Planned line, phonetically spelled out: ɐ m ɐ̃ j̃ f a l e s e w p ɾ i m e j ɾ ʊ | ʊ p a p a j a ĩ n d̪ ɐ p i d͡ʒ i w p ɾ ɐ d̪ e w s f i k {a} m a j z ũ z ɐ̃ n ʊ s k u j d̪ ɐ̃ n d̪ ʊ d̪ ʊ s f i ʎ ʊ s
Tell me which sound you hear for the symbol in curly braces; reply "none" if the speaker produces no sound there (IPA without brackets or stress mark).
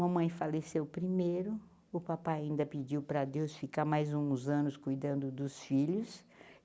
a